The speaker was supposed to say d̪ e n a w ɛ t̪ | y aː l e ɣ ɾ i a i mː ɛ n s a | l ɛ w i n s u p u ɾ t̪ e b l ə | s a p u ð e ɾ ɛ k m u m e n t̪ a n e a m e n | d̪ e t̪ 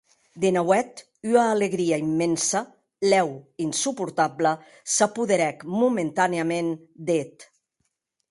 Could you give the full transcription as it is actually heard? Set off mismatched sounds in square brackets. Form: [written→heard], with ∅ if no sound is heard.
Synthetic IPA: d̪ e n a w ɛ t̪ | y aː l e ɣ ɾ i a i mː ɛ n s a | l ɛ w i n s u p u ɾ t̪ [e→a] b l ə | s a p u ð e ɾ ɛ k m u m e n t̪ a n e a m e n | d̪ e t̪